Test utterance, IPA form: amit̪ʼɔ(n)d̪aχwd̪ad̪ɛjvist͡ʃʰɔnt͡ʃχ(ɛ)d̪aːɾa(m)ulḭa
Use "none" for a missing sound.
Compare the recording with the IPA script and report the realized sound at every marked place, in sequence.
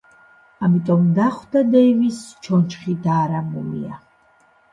m, i, m

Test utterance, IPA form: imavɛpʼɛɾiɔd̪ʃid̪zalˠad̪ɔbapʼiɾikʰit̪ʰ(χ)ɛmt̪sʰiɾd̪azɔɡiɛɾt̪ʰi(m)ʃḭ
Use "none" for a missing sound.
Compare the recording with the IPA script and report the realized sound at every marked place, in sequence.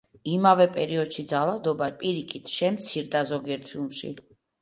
ʃ, m

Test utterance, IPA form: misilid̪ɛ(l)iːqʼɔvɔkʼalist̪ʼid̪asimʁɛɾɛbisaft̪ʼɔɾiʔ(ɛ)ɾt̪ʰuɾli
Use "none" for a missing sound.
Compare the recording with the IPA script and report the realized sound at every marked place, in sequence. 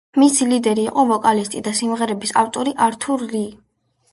ɾ, a

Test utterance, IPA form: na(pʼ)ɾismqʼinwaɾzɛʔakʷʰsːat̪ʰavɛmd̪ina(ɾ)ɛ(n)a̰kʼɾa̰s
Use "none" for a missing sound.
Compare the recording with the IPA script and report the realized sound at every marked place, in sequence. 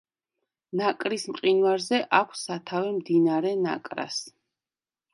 kʼ, ɾ, n

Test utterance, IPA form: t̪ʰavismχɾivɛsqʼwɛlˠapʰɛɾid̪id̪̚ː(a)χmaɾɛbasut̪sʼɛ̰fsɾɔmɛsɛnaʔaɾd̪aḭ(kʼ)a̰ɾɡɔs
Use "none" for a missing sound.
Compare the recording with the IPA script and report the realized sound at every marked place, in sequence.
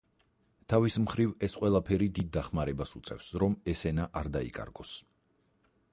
a, kʼ

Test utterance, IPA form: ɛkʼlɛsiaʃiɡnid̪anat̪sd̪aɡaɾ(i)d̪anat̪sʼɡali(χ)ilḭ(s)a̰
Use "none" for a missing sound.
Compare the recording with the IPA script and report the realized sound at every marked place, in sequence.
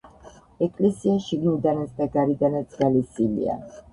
i, s, none

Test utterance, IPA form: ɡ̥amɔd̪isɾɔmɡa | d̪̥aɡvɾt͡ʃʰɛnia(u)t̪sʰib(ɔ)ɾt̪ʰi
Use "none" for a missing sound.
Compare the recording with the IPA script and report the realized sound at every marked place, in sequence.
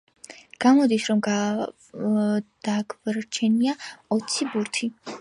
ɔ, u

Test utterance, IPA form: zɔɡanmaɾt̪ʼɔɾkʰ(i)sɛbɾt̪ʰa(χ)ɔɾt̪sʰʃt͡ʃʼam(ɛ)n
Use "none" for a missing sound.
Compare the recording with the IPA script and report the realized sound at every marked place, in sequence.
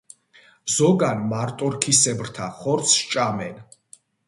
i, χ, ɛ

